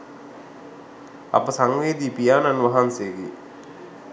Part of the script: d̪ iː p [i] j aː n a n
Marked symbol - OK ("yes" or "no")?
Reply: yes